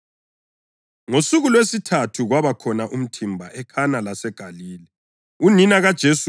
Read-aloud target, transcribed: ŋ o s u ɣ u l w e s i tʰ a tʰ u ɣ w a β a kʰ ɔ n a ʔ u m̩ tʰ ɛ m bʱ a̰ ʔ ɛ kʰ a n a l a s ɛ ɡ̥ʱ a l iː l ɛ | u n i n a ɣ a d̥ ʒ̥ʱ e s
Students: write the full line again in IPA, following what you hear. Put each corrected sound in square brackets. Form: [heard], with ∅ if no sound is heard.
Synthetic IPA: ŋ o s u ɣ u l w e s i tʰ a tʰ u ɣ w a β a kʰ ɔ n a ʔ u m̩ tʰ [i] m bʱ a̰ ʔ ɛ kʰ a n a l a s ɛ ɡ̥ʱ a l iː l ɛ | u n i n a ɣ a d̥ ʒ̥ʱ e s